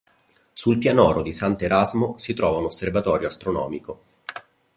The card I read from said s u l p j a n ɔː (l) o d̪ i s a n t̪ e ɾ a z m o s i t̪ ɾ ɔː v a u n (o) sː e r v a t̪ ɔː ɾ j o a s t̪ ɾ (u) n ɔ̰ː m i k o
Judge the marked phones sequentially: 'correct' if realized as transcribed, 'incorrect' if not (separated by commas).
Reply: incorrect, correct, incorrect